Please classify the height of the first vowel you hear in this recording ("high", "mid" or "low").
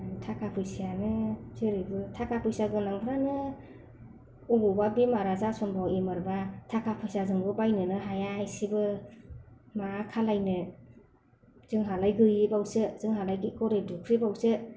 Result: low